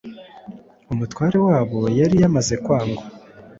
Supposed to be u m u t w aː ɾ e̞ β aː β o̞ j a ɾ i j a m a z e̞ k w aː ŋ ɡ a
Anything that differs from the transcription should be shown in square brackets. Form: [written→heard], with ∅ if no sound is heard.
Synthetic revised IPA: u m u t w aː ɾ e̞ [β→w] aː β o̞ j a ɾ i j a m a z e̞ k w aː ŋ ɡ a